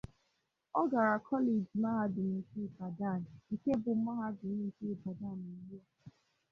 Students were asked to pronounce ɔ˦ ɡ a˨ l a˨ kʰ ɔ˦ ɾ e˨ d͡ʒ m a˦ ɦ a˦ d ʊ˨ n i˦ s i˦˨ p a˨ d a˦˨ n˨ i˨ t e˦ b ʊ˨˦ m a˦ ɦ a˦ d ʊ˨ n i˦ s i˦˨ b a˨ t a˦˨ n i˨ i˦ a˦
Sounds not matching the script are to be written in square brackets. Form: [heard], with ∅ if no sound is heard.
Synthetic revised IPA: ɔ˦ ɡ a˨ [ɾ] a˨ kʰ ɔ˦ [l] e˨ d͡ʒ m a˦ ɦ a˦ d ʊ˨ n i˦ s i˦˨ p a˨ d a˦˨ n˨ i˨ [k] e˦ b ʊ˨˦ m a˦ ɦ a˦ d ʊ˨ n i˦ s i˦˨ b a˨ [d] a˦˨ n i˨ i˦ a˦